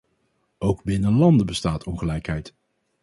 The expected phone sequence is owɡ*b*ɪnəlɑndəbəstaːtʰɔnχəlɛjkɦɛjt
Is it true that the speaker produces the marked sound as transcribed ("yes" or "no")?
yes